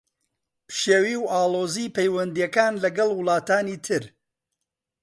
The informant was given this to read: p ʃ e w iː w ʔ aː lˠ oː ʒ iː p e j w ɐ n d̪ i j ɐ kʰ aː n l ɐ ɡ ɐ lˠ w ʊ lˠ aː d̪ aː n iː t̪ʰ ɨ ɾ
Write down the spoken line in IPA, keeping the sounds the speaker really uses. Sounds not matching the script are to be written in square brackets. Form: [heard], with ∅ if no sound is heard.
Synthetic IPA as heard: p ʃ e w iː w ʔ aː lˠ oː [z] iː p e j w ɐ n d̪ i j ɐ [k] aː n l ɐ ɡ ɐ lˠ w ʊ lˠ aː [t̪] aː n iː t̪ʰ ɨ ɾ